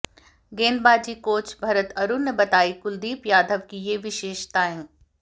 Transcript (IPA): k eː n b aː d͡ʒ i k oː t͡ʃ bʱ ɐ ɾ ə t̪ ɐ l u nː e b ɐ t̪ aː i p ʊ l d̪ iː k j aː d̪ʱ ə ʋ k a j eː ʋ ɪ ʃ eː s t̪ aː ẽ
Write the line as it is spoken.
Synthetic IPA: ɡ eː n b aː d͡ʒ i k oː t͡ʃ bʱ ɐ ɾ ə t̪ ɐ ɾ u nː e b ɐ t̪ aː i k ʊ l d̪ iː p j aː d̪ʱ ə ʋ k i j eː ʋ ɪ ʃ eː ʃ t̪ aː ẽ

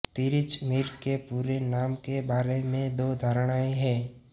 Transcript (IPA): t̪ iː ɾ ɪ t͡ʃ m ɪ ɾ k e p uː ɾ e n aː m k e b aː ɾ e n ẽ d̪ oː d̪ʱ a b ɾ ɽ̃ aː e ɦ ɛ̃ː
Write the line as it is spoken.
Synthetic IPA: t̪ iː ɾ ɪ t͡ʃ m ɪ ɾ k e p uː ɾ e n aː m k e b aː ɾ e m ẽ d̪ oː d̪ʱ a ɾ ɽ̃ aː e ɦ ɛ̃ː

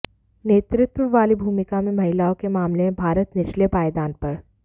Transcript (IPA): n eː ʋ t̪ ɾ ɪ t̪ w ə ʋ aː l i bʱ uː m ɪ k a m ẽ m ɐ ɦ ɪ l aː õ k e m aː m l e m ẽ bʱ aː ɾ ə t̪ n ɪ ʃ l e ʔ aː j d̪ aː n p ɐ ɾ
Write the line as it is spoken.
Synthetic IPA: n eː t̪ ɾ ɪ t̪ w ə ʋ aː l i bʱ uː m ɪ k a m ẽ m ɐ ɦ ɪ l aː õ k e m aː m l e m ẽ bʱ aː ɾ ə t̪ n ɪ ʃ l e p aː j d̪ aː n p ɐ ɾ

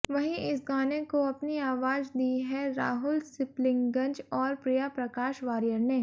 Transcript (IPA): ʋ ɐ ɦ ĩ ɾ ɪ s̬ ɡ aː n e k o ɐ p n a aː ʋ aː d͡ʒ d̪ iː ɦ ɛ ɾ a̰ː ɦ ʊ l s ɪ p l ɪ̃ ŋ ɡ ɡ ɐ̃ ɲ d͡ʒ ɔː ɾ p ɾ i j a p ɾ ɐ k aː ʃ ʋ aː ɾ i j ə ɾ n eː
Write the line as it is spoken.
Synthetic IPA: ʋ ɐ ɦ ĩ ɪ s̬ ɡ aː n e k o ɐ p n i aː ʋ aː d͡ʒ d̪ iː ɦ ɛ ɾ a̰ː ɦ ʊ l s ɪ p l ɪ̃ ŋ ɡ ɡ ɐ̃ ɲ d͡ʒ ɔː ɾ p ɾ i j a p ɾ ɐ k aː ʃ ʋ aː ɾ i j ə ɾ n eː

